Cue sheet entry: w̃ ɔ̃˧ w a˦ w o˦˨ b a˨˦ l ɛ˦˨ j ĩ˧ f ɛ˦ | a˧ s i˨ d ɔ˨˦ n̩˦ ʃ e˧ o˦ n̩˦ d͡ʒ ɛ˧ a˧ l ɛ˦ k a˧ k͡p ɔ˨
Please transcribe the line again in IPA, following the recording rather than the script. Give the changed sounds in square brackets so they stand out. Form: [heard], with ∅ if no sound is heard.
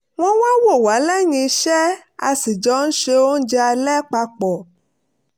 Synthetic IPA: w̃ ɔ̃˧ w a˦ w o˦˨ [w] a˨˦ l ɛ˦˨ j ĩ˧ [ʃ] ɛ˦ | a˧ s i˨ [d͡ʒ] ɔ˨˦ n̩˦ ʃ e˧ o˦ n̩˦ d͡ʒ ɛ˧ a˧ l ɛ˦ [k͡p] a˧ k͡p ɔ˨